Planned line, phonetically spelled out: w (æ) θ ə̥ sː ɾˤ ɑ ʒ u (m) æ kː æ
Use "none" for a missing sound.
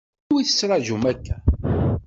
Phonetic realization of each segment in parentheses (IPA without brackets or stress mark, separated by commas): i, m